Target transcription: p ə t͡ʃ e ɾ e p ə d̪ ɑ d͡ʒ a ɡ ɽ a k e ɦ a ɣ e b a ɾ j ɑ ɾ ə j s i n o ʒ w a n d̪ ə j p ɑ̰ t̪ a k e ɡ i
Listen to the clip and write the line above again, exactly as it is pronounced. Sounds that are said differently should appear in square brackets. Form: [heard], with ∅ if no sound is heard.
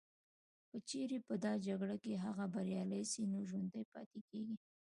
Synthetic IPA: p ə t͡ʃ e ɾ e p ə d̪ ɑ d͡ʒ a ɡ ɽ a k e ɦ a ɣ [a] b a ɾ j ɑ [l] ə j s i n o ʒ w a n d̪ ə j p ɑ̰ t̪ [e] k e ɡ i